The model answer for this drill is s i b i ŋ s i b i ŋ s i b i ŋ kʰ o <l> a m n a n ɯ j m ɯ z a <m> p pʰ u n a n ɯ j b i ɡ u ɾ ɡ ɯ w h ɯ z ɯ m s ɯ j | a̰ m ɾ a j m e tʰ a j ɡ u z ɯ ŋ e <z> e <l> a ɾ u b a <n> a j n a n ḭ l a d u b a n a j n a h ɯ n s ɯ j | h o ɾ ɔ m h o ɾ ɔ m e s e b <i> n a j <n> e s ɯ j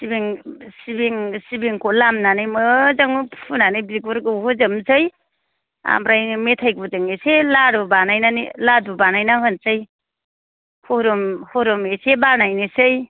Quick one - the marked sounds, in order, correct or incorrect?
correct, incorrect: ŋ, incorrect: s, correct, correct, incorrect: a, correct

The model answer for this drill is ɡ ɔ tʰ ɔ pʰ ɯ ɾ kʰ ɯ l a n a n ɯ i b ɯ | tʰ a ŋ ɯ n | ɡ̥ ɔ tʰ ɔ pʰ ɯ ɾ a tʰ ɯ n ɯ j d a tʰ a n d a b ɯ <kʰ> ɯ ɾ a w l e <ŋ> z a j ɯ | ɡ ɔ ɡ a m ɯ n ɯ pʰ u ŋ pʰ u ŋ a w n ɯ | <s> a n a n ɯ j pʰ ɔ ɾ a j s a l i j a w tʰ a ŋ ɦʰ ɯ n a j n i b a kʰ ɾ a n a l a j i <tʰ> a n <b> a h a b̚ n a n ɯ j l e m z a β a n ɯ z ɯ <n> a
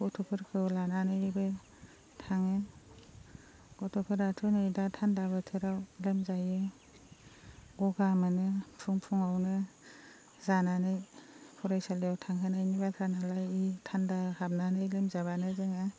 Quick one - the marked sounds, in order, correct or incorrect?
incorrect: tʰ, incorrect: m, incorrect: z, correct, incorrect: d, incorrect: ŋ

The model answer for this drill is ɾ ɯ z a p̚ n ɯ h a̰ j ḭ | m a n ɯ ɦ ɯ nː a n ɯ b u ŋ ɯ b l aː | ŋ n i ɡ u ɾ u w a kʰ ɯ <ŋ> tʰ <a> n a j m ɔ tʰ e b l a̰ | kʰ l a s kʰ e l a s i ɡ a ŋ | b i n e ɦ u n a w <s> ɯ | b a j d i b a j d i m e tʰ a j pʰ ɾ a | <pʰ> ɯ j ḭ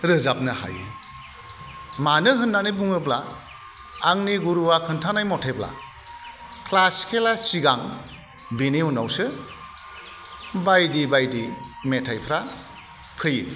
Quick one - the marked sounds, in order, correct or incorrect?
incorrect: n, correct, correct, correct

